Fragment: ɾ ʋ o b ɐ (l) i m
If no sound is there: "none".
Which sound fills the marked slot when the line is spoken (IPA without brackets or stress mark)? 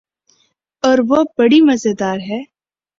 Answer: ɽ